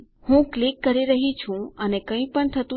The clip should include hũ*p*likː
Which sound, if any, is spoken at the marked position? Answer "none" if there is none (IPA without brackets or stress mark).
k